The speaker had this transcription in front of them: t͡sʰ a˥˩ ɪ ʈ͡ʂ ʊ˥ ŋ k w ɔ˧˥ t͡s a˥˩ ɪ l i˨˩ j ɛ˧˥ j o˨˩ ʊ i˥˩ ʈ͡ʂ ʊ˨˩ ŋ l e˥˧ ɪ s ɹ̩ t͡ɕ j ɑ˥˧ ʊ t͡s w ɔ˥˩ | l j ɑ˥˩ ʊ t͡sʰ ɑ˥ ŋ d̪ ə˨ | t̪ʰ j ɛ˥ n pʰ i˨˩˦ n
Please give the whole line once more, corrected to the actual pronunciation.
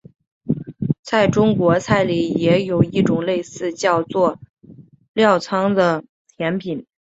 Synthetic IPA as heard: t͡sʰ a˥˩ ɪ ʈ͡ʂ ʊ˥ ŋ k w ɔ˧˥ t͡sʰ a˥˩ ɪ l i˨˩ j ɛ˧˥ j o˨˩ ʊ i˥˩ ʈ͡ʂ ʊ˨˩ ŋ l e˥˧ ɪ s ɹ̩ t͡ɕ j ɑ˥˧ ʊ t͡s w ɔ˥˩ | l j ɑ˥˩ ʊ t͡sʰ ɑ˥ ŋ d̪ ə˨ | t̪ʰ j ɛ˧˥ n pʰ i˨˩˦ n

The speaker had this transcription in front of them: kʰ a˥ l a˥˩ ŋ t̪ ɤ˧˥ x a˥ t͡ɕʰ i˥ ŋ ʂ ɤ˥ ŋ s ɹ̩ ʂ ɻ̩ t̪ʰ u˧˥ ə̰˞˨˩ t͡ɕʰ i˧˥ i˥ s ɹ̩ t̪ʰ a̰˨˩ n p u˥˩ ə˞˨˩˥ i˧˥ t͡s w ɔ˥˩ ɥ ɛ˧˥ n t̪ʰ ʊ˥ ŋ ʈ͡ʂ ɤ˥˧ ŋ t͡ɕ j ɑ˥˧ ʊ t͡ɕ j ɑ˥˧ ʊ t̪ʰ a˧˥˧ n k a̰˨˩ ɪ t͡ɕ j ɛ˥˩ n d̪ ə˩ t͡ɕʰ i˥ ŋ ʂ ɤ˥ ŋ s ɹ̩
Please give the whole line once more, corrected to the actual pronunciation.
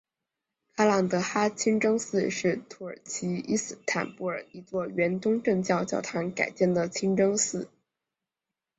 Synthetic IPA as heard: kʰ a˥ l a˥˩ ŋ t̪ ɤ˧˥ x a˥ t͡ɕʰ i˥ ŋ ʈ͡ʂ ɤ˥ ŋ s ɹ̩ ʂ ɻ̩ t̪ʰ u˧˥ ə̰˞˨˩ t͡ɕʰ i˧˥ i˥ s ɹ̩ t̪ʰ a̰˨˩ n p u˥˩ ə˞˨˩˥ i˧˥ t͡s w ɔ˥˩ ɥ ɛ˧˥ n t̪ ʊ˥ ŋ ʈ͡ʂ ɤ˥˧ ŋ t͡ɕ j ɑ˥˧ ʊ t͡ɕ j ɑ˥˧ ʊ t̪ʰ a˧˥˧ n k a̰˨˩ ɪ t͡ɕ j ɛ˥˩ n d̪ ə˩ t͡ɕʰ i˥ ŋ ʈ͡ʂ ɤ˥ ŋ s ɹ̩

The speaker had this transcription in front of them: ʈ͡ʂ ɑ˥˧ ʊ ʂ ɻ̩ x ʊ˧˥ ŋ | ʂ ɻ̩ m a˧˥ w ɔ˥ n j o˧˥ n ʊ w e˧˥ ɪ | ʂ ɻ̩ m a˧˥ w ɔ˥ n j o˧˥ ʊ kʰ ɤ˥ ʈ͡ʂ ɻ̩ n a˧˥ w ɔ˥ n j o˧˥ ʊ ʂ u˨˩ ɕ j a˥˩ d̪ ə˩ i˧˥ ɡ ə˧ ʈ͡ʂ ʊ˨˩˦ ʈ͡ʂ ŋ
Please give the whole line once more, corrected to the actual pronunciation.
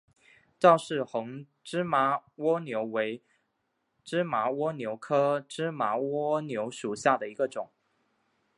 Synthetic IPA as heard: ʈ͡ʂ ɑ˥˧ ʊ ʂ ɻ̩ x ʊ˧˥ ŋ | ʈ͡ʂ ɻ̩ m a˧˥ w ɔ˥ n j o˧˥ ʊ w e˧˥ ɪ | ʈ͡ʂ ɻ̩ m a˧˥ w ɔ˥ n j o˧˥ ʊ kʰ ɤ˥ ʈ͡ʂ ɻ̩ m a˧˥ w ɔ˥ n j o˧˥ ʊ ʂ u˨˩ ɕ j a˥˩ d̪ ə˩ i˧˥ ɡ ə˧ ʈ͡ʂ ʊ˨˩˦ ŋ

